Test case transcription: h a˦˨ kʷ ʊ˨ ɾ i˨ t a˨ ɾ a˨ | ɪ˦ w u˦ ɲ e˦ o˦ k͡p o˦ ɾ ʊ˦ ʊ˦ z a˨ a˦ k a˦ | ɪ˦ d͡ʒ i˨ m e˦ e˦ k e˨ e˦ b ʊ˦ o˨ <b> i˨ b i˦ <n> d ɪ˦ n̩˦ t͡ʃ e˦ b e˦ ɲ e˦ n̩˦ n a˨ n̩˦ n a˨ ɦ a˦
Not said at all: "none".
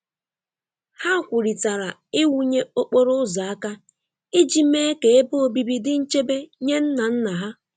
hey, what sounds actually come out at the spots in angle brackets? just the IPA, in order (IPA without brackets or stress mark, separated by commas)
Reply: b, none